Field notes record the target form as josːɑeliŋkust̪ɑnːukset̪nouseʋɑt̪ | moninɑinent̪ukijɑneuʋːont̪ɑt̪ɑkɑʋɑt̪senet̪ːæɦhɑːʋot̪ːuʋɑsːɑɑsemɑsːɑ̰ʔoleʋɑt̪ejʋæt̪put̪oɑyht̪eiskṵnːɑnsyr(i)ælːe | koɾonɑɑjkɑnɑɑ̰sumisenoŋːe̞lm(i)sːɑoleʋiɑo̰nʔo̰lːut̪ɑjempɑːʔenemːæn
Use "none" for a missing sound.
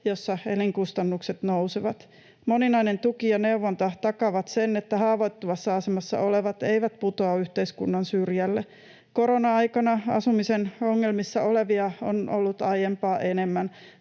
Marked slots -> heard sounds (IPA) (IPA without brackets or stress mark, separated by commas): j, i